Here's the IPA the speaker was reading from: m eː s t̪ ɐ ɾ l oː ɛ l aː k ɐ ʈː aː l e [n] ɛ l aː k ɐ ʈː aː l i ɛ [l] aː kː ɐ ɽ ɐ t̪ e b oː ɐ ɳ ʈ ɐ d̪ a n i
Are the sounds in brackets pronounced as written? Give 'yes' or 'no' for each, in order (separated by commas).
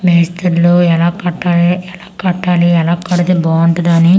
no, yes